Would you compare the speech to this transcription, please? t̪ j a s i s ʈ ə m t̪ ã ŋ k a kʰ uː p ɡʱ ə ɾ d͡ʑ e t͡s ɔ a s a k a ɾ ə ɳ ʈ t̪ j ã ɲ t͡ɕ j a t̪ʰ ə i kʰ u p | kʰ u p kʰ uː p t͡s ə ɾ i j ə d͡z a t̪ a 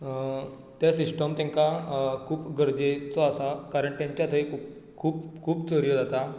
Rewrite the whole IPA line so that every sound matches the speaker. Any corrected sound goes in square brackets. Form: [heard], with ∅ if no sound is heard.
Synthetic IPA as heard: t̪ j a s i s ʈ ə m t̪ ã ŋ k a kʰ uː p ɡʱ ə ɾ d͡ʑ e t͡s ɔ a s a k a ɾ ə ɳ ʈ t̪ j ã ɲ t͡ɕ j a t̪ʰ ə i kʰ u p | kʰ [uː] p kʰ uː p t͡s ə ɾ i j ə d͡z a t̪ a